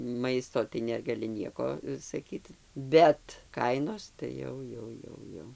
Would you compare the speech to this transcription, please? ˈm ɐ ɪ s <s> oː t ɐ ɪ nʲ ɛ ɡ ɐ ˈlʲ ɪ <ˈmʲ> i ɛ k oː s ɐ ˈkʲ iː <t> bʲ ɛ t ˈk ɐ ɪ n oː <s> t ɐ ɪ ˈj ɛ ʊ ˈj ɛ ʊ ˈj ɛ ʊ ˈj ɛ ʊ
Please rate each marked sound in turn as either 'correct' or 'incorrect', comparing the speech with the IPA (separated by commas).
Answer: incorrect, incorrect, correct, correct